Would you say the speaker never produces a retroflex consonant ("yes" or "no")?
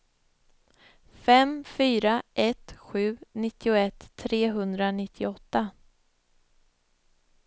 yes